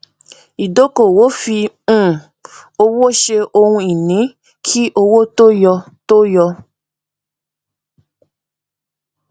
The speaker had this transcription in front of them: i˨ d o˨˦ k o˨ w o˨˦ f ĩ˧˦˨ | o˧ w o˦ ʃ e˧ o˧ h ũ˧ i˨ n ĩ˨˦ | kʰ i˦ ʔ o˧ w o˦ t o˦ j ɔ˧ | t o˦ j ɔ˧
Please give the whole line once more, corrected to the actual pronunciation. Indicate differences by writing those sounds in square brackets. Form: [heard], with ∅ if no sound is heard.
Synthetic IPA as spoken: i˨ d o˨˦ k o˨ w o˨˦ f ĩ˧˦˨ | o˧ w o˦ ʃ e˧ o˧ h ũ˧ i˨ n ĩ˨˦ | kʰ i˦ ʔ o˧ w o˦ t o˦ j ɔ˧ | t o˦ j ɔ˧